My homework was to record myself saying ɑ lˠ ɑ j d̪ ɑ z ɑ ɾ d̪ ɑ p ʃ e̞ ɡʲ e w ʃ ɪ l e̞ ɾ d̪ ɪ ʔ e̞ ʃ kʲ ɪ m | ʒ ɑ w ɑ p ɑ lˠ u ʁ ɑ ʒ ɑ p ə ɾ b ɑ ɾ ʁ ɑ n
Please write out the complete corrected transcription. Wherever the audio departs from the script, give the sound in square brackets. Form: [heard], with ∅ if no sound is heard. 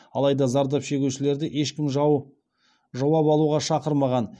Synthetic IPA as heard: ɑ lˠ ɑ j d̪ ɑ z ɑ ɾ d̪ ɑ p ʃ e̞ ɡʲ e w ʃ ɪ l e̞ ɾ d̪ ɪ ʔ e̞ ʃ kʲ ɪ m | ʒ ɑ w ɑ p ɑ lˠ u ʁ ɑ [ʃ] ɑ [q] ə ɾ [m] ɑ [∅] ʁ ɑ n